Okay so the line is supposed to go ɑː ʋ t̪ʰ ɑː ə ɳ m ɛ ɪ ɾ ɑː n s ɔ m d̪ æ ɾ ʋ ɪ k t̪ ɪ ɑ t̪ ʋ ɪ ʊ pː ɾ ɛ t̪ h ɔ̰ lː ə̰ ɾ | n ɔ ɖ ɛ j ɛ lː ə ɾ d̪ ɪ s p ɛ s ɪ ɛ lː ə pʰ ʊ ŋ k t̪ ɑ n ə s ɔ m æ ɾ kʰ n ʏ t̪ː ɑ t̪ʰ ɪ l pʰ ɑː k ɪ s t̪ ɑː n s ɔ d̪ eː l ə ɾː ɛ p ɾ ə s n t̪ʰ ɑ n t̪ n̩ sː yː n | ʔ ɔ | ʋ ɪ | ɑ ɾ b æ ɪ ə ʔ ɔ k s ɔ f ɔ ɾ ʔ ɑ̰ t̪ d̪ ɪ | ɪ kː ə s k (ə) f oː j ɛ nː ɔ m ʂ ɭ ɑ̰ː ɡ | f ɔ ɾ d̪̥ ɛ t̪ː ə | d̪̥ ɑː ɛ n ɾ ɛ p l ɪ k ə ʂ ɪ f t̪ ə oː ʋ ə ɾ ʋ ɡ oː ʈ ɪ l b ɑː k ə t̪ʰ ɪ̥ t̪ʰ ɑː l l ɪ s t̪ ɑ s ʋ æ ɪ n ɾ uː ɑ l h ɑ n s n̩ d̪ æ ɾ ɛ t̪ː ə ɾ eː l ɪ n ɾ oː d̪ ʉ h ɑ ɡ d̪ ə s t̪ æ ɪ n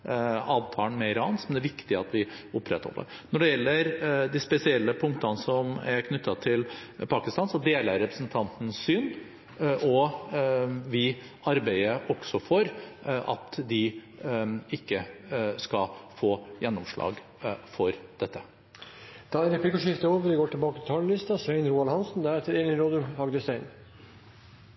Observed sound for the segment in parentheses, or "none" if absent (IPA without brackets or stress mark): ɑ